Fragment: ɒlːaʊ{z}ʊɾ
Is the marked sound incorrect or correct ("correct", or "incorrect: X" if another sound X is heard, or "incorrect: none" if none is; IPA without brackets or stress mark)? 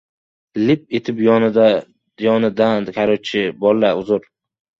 correct